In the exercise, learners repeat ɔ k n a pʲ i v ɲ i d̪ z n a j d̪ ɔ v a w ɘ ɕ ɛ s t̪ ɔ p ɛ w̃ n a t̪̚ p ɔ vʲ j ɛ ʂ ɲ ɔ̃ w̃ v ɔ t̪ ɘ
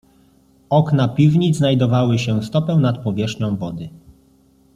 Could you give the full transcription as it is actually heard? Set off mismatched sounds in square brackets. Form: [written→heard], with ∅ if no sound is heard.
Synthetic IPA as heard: ɔ k n a pʲ i v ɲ i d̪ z n a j d̪ ɔ v a w ɘ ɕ ɛ s t̪ ɔ p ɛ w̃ n a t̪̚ p ɔ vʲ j ɛ ʂ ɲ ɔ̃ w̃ v ɔ [t̪→d̪] ɘ